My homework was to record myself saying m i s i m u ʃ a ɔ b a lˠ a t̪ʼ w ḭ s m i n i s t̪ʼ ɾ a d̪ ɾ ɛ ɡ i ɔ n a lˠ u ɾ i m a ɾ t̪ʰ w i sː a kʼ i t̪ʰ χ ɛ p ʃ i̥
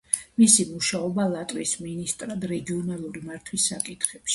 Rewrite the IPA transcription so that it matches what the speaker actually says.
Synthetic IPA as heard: m i s i m u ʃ a ɔ b a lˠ a t̪ʼ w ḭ s m i n i s t̪ʼ ɾ a d̪ ɾ ɛ ɡ i ɔ n a lˠ u ɾ i m a ɾ t̪ʰ w i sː a kʼ i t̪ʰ χ ɛ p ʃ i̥

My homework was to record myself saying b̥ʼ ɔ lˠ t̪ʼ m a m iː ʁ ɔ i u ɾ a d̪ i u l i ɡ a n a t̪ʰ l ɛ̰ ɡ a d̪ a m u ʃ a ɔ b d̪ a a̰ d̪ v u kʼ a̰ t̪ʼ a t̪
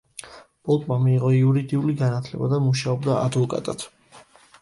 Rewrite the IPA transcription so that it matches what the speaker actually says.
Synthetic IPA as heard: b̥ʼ ɔ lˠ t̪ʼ m a m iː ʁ ɔ i u ɾ i d̪ i u l i ɡ a n a t̪ʰ l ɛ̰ b a d̪ a m u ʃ a ɔ b d̪ a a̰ d̪ v ɔ kʼ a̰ t̪ʼ a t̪

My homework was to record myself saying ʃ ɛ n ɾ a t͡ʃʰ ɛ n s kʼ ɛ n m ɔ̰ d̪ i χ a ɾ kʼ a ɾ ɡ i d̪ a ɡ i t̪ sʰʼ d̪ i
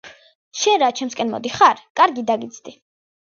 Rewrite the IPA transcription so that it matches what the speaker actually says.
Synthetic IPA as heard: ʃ ɛ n ɾ a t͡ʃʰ ɛ m s kʼ ɛ n m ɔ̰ d̪ i χ a ɾ kʼ a ɾ ɡ i d̪ a ɡ i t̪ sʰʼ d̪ i

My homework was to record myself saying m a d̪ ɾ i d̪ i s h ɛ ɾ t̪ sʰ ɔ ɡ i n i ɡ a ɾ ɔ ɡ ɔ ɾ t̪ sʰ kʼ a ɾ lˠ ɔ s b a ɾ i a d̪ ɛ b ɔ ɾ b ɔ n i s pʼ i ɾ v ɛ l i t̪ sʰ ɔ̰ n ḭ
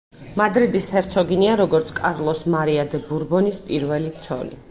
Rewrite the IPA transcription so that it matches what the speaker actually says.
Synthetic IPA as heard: m a d̪ ɾ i d̪ i s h ɛ ɾ t̪ sʰ ɔ ɡ i n i a ɾ ɔ ɡ ɔ ɾ t̪ sʰ kʼ a ɾ lˠ ɔ s m a ɾ i a d̪ ɛ b u ɾ b ɔ n i s pʼ i ɾ v ɛ l i t̪ sʰ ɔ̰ n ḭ

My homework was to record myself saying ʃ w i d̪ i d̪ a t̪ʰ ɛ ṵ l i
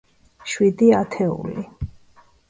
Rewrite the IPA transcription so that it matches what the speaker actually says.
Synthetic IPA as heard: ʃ w i d̪ i a t̪ʰ ɛ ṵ l i

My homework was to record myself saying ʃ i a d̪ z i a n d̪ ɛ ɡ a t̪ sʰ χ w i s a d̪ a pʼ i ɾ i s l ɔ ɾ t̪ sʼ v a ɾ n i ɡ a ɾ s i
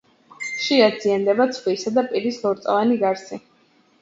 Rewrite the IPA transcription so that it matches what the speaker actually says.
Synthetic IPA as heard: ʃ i a d̪ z i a n d̪ ɛ b a t̪ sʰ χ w i s a d̪ a pʼ i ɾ i s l ɔ ɾ t̪ sʼ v a n i ɡ a ɾ s i

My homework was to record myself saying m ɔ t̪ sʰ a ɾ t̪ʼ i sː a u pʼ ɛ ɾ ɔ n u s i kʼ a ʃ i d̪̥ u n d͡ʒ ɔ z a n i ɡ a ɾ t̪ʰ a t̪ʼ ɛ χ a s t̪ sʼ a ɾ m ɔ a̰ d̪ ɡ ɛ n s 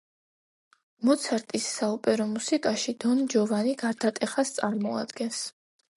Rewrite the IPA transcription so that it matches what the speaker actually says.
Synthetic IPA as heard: m ɔ t̪ sʰ a ɾ t̪ʼ i sː a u pʼ ɛ ɾ ɔ m u s i kʼ a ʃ i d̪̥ ɔ n d͡ʒ ɔ v a n i ɡ a ɾ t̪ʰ a t̪ʼ ɛ χ a s t̪ sʼ a ɾ m ɔ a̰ d̪ ɡ ɛ n s

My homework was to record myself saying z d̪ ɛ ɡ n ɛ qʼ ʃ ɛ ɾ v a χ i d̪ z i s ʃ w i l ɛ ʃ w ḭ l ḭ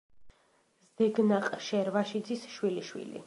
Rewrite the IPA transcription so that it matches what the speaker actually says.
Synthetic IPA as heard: z d̪ ɛ ɡ n a qʼ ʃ ɛ ɾ v a ʃ i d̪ z i s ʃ w i l i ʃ w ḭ l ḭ

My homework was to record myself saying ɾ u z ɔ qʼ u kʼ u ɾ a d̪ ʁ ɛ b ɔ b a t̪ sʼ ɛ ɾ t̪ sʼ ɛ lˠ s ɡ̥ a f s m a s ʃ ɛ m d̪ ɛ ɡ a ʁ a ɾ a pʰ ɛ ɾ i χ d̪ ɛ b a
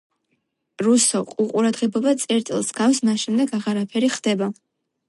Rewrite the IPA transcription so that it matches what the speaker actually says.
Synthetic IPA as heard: ɾ u s ɔ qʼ u qʼ u ɾ a d̪ ʁ ɛ b ɔ b a t̪ sʼ ɛ ɾ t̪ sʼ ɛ lˠ s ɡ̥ a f s m a s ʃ ɛ m d̪ ɛ ɡ a ʁ a ɾ a pʰ ɛ ɾ i χ d̪ ɛ b a

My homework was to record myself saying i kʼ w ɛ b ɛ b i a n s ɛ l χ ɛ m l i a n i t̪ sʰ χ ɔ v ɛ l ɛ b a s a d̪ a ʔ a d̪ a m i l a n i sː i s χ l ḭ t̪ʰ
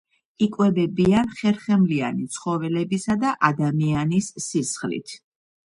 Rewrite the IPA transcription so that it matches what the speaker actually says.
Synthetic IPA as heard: i kʼ w ɛ b ɛ b i a n χ ɛ ɾ χ ɛ m l i a n i t̪ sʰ χ ɔ v ɛ l ɛ b i s a d̪ a ʔ a d̪ a m i a n i sː i s χ l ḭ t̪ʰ

